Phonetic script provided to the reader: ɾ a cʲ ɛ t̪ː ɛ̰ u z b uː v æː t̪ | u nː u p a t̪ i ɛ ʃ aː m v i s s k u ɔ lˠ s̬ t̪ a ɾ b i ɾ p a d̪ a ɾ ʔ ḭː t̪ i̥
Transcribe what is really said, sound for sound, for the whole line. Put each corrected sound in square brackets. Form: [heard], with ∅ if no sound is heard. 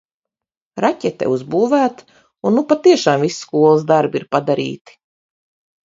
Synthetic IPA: ɾ a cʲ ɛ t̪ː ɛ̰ u z b uː v æː t̪ | u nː u p a t̪ i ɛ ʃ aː m v i s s k u ɔ lˠ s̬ [d̪] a ɾ b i ɾ p a d̪ a ɾ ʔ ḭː t̪ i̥